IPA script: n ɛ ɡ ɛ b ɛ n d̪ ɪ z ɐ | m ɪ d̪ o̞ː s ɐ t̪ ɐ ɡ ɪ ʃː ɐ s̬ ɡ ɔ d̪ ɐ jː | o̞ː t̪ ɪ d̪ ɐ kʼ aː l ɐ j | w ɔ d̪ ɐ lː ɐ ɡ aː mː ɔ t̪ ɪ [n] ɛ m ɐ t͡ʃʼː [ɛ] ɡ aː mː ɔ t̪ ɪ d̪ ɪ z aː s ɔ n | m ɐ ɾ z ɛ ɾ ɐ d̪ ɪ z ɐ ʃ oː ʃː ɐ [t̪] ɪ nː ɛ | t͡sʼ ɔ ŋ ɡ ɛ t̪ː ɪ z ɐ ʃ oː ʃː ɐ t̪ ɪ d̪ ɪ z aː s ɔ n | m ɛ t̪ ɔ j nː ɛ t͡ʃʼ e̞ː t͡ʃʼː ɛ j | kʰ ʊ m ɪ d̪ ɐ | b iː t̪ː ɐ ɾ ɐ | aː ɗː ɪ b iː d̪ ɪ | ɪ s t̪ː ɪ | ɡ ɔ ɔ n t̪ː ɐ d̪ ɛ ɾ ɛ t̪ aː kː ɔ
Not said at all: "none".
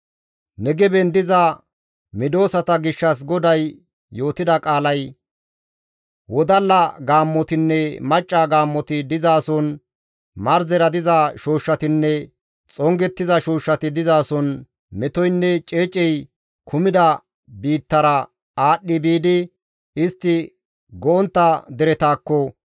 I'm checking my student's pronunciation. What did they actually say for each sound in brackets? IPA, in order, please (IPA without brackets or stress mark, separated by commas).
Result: nː, a, t̪